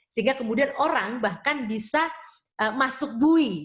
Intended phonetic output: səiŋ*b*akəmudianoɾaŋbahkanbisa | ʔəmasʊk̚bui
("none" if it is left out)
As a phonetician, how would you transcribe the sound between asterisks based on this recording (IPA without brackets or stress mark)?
ɡ